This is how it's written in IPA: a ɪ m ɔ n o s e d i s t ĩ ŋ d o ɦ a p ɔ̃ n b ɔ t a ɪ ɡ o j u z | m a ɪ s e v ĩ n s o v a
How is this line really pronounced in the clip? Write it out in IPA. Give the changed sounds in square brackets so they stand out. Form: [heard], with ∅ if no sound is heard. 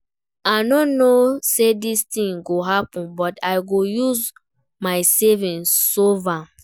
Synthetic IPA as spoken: a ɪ [n] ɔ n o s e d i s t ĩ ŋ [ɡ] o ɦ a p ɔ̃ n b ɔ t a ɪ ɡ o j u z | m a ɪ s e v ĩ n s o v a